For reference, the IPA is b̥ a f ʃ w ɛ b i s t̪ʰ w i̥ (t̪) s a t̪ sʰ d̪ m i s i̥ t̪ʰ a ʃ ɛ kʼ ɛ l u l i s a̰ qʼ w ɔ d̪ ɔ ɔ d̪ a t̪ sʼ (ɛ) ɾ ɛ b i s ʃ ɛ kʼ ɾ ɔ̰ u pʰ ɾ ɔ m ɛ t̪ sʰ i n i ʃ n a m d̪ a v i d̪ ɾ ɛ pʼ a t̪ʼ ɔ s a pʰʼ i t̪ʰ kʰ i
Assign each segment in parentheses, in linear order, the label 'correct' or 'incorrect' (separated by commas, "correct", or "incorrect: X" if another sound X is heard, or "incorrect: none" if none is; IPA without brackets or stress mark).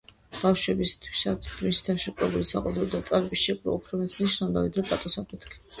incorrect: none, incorrect: a